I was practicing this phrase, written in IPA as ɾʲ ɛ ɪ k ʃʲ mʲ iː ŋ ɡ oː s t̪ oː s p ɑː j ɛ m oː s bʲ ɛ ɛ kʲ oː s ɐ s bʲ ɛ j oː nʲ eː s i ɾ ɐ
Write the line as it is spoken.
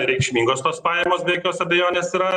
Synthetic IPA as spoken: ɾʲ ɛ ɪ k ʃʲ mʲ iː ŋ ɡ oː s t̪ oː s p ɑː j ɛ m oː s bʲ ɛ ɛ kʲ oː s ɐ bʲ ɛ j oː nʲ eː s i ɾ ɐ